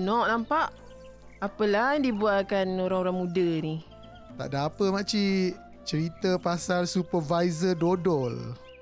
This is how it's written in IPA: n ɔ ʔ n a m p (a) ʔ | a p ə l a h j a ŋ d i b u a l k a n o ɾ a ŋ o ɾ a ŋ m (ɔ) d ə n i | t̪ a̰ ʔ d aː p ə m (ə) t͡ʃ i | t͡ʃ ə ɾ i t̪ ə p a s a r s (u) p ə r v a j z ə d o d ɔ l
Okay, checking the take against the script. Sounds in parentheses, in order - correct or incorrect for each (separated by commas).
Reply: correct, incorrect, incorrect, correct